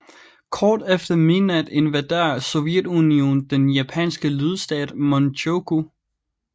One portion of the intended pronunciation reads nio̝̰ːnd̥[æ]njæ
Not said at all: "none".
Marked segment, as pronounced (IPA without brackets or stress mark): e